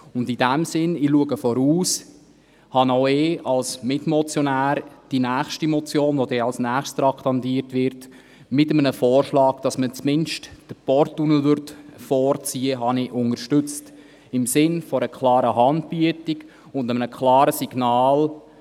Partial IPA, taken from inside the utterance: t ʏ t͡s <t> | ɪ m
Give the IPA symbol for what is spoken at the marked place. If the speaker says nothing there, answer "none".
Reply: t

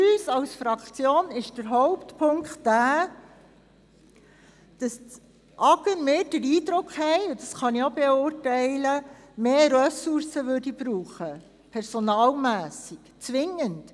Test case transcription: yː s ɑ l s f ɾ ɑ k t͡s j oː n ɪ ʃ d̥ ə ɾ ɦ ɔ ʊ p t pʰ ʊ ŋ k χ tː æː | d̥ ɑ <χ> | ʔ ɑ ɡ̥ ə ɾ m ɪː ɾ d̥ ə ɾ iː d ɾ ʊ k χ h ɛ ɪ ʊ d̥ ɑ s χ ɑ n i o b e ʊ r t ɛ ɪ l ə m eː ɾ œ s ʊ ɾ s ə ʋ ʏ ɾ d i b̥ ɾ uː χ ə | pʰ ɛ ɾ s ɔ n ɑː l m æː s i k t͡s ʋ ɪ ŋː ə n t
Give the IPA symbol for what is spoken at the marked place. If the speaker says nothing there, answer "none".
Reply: s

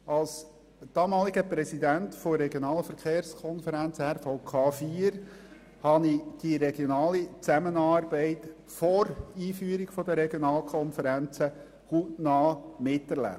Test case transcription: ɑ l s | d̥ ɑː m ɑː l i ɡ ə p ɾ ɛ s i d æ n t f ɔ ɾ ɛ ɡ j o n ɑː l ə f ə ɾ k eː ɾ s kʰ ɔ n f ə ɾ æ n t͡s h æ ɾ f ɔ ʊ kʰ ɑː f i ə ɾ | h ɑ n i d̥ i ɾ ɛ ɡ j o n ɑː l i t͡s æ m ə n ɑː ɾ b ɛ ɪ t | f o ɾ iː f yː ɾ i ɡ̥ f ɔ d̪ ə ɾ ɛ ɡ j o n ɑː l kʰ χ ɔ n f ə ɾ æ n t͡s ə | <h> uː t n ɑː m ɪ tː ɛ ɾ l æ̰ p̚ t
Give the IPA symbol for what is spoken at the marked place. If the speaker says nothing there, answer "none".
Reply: h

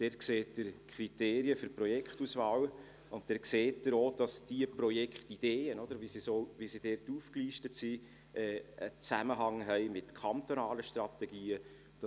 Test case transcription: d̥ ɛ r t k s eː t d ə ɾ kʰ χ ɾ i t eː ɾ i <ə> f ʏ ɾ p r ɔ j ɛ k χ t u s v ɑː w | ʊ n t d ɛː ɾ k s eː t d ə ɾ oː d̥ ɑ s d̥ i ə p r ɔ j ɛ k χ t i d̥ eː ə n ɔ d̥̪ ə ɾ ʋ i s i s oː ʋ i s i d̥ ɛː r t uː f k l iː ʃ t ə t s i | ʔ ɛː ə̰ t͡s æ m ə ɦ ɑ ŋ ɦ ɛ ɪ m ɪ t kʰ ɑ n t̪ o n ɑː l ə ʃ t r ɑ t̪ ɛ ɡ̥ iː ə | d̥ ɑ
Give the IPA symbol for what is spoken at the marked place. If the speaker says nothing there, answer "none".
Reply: ə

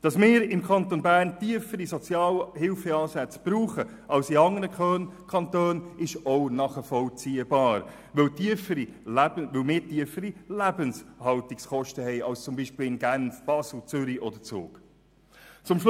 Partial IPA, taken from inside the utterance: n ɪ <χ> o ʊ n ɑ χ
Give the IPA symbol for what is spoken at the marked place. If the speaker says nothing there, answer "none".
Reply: ʃ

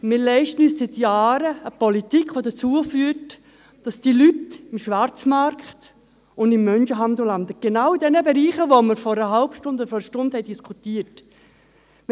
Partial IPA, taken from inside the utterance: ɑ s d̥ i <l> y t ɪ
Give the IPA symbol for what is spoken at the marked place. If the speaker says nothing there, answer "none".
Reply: l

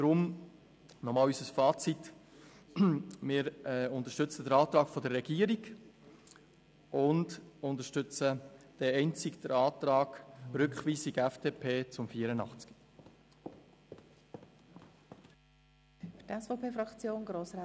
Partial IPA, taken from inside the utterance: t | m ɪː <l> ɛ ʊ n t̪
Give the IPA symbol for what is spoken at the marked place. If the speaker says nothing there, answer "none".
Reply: ɾ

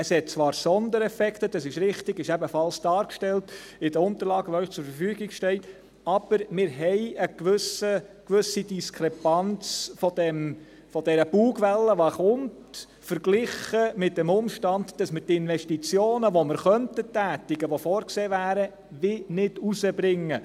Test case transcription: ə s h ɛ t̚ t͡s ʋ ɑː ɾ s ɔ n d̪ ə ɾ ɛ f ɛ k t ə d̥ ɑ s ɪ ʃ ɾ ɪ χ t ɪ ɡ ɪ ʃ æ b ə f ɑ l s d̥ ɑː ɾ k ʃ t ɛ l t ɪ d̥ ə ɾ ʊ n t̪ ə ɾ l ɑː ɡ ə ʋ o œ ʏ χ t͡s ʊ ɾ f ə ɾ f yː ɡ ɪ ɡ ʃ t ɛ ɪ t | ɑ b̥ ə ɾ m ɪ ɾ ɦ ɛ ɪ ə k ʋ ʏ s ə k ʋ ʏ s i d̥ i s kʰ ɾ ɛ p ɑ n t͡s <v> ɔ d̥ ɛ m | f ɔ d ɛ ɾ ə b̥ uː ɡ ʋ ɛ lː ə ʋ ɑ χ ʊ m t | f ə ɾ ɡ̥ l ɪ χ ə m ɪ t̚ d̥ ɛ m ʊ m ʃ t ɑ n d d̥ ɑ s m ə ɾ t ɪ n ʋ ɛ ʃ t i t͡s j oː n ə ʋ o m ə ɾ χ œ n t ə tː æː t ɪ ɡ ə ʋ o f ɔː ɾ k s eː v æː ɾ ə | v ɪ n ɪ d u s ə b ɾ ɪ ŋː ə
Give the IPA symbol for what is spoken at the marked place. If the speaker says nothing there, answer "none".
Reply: f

